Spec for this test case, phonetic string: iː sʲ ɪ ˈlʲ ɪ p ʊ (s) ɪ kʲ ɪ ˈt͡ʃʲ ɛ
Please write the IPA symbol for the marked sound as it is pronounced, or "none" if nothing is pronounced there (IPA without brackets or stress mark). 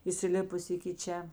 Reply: s